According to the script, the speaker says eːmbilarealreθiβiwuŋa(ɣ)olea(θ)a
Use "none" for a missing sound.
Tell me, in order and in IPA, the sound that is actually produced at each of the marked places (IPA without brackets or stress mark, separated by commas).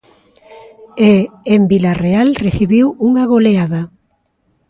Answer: ɣ, ð